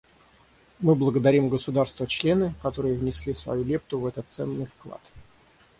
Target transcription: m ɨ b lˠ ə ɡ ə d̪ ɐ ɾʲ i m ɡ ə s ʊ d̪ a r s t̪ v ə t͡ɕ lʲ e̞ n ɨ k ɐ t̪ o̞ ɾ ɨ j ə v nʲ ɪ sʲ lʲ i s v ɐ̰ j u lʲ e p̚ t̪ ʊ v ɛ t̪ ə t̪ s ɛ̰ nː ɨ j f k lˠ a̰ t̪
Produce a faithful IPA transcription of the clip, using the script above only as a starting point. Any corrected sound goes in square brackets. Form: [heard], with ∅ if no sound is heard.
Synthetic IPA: m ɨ b lˠ ə ɡ ə d̪ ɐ ɾʲ i m ɡ ə s ʊ d̪ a r s t̪ v ə t͡ɕ lʲ e̞ n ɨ k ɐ t̪ o̞ ɾ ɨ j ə v nʲ ɪ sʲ lʲ i s v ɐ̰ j u lʲ e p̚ t̪ ʊ v ɛ t̪ ə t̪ s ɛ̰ nː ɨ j f k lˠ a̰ t̪